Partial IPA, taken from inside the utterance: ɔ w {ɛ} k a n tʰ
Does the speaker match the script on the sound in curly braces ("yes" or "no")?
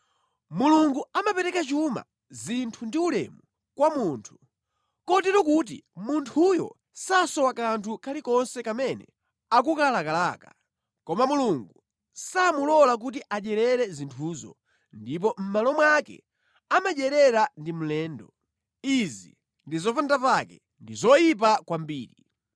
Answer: no